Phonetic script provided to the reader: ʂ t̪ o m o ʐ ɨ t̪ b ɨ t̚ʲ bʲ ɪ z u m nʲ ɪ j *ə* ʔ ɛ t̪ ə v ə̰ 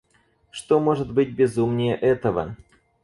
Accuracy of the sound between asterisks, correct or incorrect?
correct